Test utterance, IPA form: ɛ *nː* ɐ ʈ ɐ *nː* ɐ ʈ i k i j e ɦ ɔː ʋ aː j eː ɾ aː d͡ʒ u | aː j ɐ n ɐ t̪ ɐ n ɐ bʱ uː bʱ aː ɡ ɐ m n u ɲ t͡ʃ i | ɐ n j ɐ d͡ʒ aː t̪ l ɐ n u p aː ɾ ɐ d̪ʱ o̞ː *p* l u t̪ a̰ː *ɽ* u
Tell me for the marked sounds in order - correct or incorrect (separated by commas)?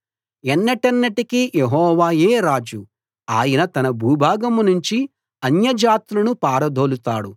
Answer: correct, correct, incorrect, correct